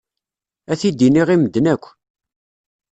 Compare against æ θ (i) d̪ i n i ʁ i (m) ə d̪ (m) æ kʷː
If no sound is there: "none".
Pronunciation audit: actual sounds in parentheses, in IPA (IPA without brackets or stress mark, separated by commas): i, m, n